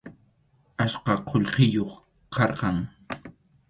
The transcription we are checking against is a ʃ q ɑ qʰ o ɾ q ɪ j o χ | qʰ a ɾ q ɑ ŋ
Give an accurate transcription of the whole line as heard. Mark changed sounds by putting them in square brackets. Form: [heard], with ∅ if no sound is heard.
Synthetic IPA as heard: a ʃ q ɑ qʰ o [ʎ] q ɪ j o χ | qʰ [ɑ] ɾ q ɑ ŋ